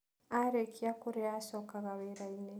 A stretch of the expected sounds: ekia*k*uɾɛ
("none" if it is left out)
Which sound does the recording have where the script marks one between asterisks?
k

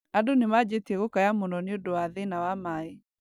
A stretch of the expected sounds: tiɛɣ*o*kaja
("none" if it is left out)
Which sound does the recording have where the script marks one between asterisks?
o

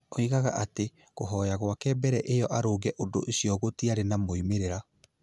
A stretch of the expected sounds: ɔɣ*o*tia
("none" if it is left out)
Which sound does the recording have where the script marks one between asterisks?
o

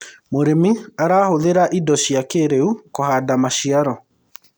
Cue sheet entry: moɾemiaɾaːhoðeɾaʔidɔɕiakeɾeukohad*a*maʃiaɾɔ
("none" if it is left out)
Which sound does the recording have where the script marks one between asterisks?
a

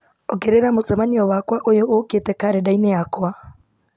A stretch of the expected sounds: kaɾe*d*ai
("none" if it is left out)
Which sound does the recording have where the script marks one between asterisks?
d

